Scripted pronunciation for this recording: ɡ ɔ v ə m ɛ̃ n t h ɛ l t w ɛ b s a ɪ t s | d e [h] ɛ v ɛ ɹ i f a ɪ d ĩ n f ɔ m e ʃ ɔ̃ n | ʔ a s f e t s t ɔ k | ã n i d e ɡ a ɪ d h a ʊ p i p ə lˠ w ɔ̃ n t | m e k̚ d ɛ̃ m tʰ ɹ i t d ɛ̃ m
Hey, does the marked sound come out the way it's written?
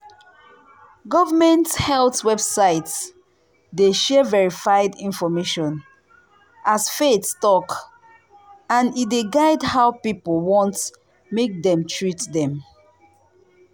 no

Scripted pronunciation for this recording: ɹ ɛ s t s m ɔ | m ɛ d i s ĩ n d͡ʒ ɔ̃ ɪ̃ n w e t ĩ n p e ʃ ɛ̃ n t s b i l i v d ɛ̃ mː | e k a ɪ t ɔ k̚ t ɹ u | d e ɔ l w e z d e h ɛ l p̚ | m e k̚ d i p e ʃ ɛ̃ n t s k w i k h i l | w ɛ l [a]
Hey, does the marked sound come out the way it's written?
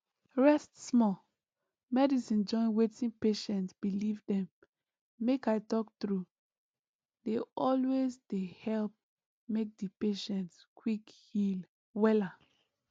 yes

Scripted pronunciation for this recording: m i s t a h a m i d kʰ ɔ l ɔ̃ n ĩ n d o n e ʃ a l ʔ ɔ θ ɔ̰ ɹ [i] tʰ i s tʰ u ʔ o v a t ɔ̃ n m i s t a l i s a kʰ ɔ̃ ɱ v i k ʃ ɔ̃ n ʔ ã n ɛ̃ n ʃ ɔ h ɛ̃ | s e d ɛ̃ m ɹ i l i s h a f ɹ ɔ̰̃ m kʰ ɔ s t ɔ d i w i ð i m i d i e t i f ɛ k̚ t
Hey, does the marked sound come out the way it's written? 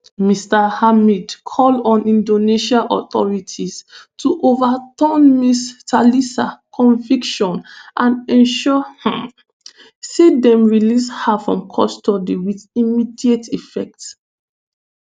yes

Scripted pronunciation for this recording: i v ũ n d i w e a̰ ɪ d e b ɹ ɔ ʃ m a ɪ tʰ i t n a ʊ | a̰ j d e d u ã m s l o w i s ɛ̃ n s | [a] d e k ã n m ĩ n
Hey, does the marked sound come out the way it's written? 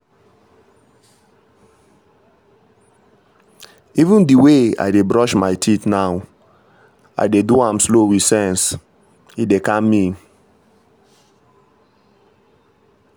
no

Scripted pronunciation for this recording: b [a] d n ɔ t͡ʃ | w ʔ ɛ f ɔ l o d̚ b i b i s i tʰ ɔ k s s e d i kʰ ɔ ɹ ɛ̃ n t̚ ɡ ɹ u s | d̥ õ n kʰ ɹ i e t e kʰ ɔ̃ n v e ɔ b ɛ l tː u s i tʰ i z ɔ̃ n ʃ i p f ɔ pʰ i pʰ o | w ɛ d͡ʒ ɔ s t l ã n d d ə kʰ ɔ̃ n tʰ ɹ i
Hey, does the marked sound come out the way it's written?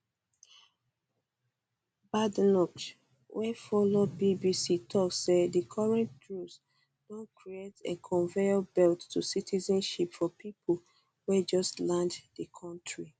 yes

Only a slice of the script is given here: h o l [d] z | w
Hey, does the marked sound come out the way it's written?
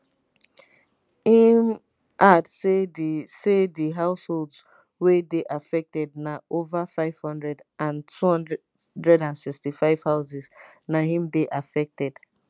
yes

